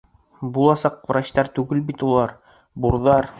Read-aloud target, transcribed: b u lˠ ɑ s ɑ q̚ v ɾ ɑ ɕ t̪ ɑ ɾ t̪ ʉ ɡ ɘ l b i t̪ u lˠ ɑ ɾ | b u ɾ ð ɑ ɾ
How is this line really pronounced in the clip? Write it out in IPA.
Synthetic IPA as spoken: b u lˠ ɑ s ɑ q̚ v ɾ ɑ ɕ t̪ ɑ ɾ t̪ ʉ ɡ ɘ l b i t̪ u lˠ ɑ ɾ | b u ɾ ð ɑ ɾ